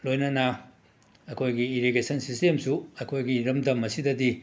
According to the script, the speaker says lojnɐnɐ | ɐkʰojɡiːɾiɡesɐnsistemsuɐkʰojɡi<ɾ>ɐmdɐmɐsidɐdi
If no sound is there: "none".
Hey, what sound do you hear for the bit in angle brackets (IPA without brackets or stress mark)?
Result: ɾ